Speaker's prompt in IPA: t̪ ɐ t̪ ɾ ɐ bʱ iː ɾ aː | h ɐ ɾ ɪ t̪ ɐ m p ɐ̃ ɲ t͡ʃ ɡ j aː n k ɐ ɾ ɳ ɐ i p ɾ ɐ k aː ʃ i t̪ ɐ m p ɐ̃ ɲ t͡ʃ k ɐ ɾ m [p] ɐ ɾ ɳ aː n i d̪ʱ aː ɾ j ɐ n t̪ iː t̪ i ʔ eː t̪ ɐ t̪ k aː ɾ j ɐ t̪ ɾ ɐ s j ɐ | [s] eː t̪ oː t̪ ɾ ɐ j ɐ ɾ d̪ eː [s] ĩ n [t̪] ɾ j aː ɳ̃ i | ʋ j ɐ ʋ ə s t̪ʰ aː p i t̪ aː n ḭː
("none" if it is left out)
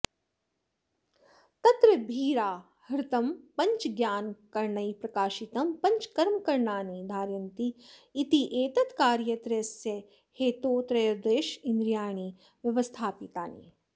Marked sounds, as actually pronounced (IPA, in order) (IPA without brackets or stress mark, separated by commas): k, h, ʃ, d̪